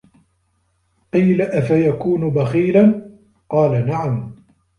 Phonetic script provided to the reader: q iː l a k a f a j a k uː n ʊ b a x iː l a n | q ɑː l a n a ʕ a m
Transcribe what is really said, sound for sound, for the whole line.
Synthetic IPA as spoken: q iː l a ʔ a f a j a k uː n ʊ b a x iː l a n | q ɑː l a n a ʕ a m